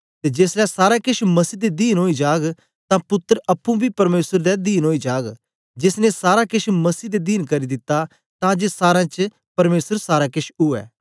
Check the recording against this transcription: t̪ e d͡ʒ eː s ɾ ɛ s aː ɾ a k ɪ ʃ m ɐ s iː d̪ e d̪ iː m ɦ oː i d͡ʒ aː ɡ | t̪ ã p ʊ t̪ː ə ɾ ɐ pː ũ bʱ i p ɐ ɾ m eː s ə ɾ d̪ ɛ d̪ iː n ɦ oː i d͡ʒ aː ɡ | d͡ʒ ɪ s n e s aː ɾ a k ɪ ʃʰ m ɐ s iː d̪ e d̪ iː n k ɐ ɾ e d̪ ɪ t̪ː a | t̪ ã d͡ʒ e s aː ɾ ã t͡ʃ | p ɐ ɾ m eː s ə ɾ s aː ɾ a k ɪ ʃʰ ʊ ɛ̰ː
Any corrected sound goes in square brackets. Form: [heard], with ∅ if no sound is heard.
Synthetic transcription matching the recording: t̪ e d͡ʒ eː s [l] ɛ s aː ɾ a k ɪ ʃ m ɐ s iː d̪ e d̪ iː [n] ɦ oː i d͡ʒ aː ɡ | t̪ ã p ʊ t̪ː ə ɾ ɐ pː ũ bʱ i p ɐ ɾ m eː s ə ɾ d̪ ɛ d̪ iː n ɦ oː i d͡ʒ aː ɡ | d͡ʒ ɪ s n e s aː ɾ a k ɪ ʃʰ m ɐ s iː d̪ e d̪ iː n k ɐ ɾ [i] d̪ ɪ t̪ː a | t̪ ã d͡ʒ e s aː ɾ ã t͡ʃ | p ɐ ɾ m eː s ə ɾ s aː ɾ a k ɪ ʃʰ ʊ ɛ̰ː

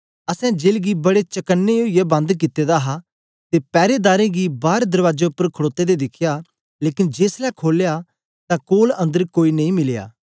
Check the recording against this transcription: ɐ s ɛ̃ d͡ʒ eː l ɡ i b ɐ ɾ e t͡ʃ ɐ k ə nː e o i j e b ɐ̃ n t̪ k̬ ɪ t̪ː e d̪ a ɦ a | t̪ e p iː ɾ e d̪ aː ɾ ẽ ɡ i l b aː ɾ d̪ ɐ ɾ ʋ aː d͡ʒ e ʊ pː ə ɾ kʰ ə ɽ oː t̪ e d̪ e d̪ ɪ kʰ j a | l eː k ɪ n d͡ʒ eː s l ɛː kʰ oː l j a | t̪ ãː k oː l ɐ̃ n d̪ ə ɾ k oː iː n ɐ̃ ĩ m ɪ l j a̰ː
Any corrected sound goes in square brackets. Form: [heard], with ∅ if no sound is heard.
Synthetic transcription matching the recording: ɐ s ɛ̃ d͡ʒ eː l ɡ i b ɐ [ɽ] e t͡ʃ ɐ k ə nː e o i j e b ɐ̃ n [d̪] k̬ ɪ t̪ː e d̪ a ɦ a | t̪ e p [ɛː] ɾ e d̪ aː ɾ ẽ ɡ i [∅] b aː ɾ d̪ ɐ ɾ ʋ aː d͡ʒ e ʊ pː ə ɾ kʰ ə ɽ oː t̪ e d̪ e d̪ ɪ kʰ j a | l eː k ɪ n d͡ʒ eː s l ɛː kʰ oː l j a | t̪ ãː k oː l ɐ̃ n d̪ ə ɾ k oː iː n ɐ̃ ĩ m ɪ l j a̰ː

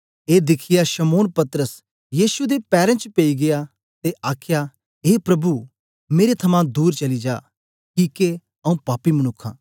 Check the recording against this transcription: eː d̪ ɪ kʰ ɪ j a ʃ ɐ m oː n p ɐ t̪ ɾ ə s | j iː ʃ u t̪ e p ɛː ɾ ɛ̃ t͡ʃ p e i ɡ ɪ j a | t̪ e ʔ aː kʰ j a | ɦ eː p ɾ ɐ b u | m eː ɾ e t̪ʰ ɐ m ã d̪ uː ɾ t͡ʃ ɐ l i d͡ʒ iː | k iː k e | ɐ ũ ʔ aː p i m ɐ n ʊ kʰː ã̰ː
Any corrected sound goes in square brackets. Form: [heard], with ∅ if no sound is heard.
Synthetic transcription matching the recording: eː d̪ ɪ kʰ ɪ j a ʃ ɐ m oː n p ɐ t̪ ɾ ə s | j iː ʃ u [d̪] e p ɛː ɾ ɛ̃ t͡ʃ p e i ɡ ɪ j a | t̪ e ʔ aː kʰ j a | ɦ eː p ɾ ɐ b u | m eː ɾ e t̪ʰ ɐ m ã d̪ uː ɾ t͡ʃ ɐ l i d͡ʒ [aː] | k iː k e | ɐ ũ [p] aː p i m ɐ n ʊ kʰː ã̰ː

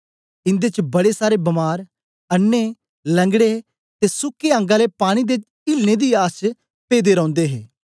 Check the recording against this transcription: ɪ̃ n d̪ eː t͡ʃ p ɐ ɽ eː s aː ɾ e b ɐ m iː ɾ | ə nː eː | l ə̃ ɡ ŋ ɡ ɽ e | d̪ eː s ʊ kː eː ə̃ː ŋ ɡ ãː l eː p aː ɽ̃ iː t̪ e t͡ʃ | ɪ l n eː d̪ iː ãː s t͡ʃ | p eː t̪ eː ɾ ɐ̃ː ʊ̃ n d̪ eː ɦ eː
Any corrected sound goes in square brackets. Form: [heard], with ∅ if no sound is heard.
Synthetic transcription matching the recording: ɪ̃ n d̪ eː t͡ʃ [b] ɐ ɽ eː s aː ɾ e b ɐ m [aː] ɾ | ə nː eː | l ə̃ [∅] ŋ ɡ ɽ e | [t̪] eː s ʊ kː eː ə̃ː ŋ ɡ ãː l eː p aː ɽ̃ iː [d̪] e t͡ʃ | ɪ l n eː d̪ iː [aː] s t͡ʃ | p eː [d̪] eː ɾ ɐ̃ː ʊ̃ n d̪ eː ɦ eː

